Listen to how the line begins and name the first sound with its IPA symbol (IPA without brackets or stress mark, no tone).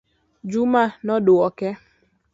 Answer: d͡ʒ